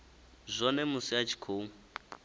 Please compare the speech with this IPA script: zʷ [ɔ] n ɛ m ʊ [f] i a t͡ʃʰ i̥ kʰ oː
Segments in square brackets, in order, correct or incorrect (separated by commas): correct, incorrect